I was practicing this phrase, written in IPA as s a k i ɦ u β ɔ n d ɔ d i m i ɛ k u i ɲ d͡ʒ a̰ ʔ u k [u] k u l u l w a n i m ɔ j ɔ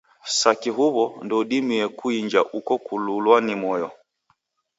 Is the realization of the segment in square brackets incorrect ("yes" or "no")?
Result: yes